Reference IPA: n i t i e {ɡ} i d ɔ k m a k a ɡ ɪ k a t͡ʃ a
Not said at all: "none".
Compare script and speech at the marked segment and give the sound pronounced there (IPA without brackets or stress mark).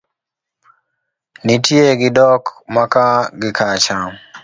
ɡ